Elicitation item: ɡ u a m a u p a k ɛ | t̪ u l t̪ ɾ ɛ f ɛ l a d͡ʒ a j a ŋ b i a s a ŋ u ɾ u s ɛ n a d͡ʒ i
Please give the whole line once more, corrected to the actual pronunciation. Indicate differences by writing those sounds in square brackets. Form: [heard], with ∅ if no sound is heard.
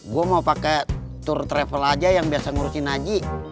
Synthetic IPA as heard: ɡ u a m a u p a k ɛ | t̪ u [r] t̪ ɾ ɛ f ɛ l a d͡ʒ a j a ŋ b i a s a ŋ u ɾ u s [i] n a d͡ʒ i